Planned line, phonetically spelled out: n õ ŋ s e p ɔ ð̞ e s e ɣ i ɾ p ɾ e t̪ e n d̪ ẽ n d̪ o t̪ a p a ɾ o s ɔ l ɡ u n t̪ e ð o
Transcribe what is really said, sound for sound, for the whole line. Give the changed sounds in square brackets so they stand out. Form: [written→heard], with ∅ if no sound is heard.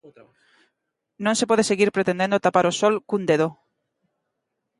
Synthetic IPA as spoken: n õ ŋ s e p ɔ ð̞ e s e ɣ i ɾ p ɾ e t̪ e n d̪ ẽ n d̪ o t̪ a p a ɾ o s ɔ l [ɡ→k] u n [t̪→d̪] e ð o